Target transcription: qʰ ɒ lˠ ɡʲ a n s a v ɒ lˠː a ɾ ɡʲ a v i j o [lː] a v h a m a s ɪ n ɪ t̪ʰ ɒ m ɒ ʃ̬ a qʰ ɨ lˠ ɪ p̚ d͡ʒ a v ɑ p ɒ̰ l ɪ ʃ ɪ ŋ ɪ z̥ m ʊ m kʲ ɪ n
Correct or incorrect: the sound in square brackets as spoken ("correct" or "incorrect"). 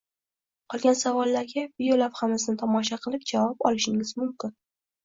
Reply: incorrect